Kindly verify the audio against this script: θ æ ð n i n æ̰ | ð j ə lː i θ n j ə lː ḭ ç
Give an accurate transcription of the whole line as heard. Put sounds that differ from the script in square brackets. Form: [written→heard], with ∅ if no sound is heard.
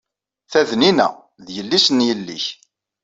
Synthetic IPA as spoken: θ æ ð n i n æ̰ | ð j ə lː i [θ→s] n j ə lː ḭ ç

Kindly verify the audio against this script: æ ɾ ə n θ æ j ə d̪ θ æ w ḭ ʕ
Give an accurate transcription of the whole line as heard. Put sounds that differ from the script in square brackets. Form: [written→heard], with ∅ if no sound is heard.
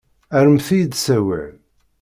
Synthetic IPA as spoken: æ ɾ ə [n→m] θ [æ→i] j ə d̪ [θ→s] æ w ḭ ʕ

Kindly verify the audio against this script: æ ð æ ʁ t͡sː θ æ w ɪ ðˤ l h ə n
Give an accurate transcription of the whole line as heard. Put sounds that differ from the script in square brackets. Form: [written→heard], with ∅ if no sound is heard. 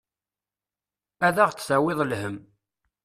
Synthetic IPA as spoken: æ ð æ ʁ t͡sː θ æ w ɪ ðˤ l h ə [n→m]

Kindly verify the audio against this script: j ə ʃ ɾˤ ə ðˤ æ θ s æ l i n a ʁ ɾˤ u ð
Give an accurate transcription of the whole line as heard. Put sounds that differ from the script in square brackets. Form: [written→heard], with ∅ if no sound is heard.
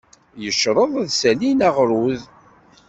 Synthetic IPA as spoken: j ə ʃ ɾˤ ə ðˤ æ [θ→ð] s æ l i n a ʁ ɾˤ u ð

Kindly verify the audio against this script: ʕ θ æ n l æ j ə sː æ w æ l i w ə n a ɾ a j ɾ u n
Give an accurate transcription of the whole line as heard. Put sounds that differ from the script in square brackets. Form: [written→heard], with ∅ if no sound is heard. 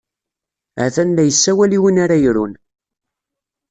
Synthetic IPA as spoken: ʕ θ æ n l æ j ə sː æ w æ l i w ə n a ɾ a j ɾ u n

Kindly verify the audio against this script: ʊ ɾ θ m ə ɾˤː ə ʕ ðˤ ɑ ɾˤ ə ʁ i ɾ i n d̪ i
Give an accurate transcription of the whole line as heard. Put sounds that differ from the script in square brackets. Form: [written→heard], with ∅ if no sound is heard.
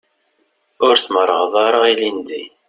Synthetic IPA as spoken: ʊ ɾ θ m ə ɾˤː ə [ʕ→ʁ] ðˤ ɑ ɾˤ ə ʁ i [ɾ→l] i n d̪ i

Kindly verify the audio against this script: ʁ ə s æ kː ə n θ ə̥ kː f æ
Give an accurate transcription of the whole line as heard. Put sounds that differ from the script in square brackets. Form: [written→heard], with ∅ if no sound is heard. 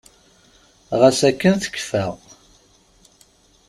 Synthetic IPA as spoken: ʁ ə s æ kː ə n θ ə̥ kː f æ

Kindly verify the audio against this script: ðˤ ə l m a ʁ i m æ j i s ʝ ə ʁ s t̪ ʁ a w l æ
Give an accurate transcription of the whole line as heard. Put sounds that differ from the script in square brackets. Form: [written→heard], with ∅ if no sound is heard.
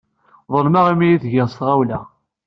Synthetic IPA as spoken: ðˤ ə l m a ʁ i m [æ→i] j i [s→θ] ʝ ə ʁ s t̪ ʁ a w l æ

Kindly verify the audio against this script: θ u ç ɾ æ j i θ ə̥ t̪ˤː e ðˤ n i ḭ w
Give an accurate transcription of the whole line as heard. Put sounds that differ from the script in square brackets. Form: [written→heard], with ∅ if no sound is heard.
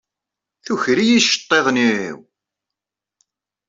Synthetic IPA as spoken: θ u ç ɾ [æ→i] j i [θ→ʃ] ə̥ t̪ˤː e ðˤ n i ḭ w

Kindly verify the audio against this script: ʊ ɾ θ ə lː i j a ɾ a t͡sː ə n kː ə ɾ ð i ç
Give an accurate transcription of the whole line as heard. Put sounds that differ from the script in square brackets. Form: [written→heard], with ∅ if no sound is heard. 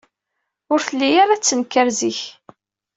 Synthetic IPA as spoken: ʊ ɾ θ ə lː i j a ɾ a t͡sː ə n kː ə ɾ [ð→z] i ç

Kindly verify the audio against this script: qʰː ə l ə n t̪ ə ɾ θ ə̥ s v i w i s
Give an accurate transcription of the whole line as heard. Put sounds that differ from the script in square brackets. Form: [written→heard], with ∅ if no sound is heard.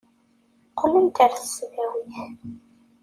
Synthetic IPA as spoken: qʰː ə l ə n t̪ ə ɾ θ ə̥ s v [i→æ] w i [s→θ]

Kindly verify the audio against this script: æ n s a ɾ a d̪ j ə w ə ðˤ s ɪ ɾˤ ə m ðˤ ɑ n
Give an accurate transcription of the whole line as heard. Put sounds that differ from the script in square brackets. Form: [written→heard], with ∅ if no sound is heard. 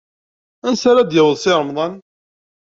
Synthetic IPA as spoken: æ n s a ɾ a d̪ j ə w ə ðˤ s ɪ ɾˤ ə m ðˤ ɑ n

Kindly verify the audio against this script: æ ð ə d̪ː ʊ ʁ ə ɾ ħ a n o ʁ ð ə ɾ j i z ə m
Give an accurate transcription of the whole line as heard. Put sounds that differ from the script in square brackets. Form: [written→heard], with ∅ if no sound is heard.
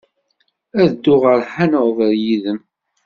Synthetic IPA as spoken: æ ð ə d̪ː ʊ ʁ ə ɾ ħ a n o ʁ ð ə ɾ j i [z→ð] ə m

